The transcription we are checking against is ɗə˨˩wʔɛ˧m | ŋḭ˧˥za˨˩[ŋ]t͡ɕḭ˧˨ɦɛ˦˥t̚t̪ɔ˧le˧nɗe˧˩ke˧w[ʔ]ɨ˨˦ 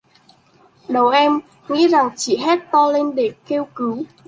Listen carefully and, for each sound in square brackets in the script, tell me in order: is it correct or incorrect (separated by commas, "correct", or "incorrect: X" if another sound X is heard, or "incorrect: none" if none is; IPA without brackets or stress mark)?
correct, incorrect: k